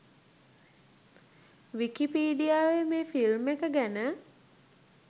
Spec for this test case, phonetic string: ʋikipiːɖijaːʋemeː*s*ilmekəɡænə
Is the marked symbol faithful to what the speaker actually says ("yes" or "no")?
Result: no